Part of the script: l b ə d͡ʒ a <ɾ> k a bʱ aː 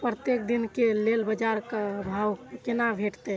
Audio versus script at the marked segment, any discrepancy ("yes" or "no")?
no